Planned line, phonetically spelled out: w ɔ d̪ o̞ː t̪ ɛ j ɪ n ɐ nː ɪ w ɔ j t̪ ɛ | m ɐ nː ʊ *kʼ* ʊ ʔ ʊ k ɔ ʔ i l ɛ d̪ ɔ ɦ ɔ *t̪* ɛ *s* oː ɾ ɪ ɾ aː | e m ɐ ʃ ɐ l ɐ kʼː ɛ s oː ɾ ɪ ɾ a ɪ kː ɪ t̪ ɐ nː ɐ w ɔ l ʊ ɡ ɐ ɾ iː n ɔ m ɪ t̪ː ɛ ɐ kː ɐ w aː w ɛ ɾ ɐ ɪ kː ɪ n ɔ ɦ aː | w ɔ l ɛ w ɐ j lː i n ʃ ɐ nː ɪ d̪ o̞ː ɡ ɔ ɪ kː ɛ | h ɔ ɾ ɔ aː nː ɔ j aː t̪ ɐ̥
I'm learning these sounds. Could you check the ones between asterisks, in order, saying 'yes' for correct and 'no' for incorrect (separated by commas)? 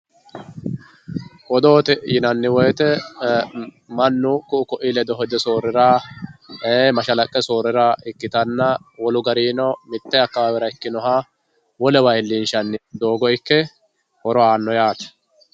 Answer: no, no, yes